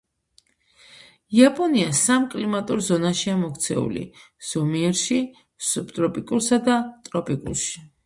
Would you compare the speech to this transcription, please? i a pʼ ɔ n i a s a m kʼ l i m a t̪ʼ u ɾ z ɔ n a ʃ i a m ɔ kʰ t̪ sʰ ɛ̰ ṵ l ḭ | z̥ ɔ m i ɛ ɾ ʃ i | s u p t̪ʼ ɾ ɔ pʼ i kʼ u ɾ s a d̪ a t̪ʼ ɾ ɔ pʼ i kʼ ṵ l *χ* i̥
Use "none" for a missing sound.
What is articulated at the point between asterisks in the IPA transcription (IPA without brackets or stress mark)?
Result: ʃ